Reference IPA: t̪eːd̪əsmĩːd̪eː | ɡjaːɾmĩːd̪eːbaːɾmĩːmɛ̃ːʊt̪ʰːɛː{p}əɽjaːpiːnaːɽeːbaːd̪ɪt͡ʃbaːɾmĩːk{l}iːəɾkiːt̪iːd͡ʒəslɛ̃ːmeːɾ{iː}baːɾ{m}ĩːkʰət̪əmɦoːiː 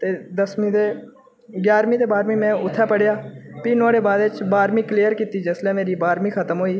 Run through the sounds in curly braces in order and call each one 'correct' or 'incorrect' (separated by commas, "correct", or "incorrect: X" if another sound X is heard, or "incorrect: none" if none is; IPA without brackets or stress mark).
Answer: correct, correct, correct, correct